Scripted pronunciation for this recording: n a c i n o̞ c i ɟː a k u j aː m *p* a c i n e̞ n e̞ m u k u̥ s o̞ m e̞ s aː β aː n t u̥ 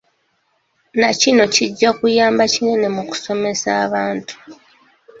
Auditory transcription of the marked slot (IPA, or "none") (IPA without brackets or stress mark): b